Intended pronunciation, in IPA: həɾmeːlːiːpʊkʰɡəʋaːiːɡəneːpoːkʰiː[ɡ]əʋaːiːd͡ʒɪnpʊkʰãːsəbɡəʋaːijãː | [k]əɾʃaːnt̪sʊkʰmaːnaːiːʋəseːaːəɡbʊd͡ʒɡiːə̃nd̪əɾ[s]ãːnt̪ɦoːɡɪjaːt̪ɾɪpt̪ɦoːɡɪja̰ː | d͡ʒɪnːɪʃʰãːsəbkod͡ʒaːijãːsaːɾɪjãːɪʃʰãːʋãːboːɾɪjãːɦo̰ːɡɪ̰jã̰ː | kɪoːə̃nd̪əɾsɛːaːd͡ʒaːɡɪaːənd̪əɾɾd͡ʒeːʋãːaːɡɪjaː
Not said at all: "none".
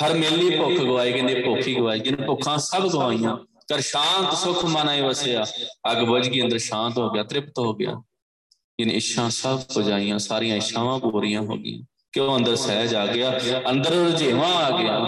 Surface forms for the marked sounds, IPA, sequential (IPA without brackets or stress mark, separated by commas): ɡ, k, ʃ